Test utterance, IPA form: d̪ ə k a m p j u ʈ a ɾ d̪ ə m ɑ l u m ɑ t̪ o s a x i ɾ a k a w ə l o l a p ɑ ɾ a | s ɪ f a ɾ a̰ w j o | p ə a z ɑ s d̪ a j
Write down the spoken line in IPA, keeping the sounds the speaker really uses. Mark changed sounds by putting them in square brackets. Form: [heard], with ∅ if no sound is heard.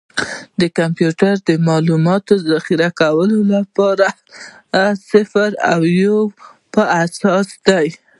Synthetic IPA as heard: d̪ ə k a m p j u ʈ a ɾ d̪ ə m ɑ l u m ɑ t̪ o [z] a x i ɾ a k a w ə l o l a p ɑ ɾ a | s ɪ f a ɾ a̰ w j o | p ə a [s] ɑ s d̪ a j